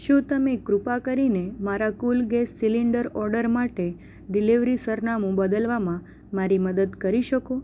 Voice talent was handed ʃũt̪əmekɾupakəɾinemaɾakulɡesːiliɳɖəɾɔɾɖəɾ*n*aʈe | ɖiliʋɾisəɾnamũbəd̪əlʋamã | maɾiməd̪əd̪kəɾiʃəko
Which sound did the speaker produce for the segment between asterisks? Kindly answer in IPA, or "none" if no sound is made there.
m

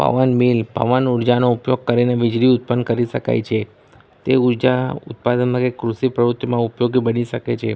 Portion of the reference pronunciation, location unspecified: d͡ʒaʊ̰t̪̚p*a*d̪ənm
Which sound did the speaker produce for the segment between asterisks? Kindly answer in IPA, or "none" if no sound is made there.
a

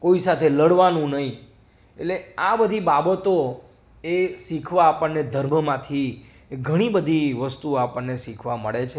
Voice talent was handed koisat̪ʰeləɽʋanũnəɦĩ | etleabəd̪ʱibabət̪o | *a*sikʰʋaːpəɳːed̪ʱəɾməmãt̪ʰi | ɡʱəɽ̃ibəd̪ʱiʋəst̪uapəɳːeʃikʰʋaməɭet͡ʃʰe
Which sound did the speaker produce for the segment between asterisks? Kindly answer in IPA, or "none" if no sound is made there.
e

